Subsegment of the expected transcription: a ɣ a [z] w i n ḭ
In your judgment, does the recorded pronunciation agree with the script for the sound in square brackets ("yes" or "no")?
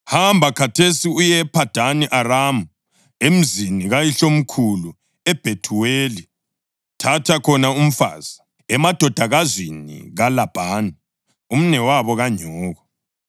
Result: yes